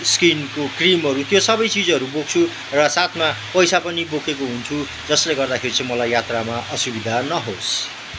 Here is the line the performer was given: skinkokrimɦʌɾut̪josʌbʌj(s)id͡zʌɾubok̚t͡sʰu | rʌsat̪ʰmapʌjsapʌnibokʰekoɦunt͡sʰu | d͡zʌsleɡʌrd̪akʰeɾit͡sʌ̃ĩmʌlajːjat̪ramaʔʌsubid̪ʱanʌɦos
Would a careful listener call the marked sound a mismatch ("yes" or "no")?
yes